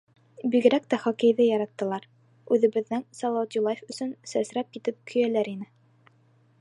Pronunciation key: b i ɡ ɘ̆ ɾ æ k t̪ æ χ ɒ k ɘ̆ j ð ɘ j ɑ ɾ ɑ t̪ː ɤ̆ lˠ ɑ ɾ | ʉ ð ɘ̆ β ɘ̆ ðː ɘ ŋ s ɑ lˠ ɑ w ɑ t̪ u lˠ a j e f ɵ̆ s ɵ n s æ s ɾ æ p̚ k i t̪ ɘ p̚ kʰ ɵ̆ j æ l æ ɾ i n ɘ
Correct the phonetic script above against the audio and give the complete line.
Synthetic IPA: b i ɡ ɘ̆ ɾ æ k t̪ æ χ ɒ k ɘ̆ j ð ɘ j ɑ ɾ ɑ t̪ː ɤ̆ lˠ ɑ ɾ | ʉ ð ɘ̆ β ɘ̆ ðː ɘ ŋ s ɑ lˠ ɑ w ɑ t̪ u lˠ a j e f ɵ̆ s ɵ n s æ s ɾ æ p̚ k i t̪ ɘ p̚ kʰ ɵ̆ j æ l æ ɾ i n ɘ